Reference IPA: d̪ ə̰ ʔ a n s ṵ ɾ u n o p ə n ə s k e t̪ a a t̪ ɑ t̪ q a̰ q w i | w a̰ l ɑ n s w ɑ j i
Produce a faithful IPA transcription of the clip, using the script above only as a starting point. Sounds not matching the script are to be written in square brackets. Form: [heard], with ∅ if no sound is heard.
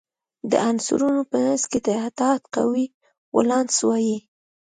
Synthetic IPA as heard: d̪ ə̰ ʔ a n s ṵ ɾ u n o p ə n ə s k e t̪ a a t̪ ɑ t̪ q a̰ [∅] w i | w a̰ l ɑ n s w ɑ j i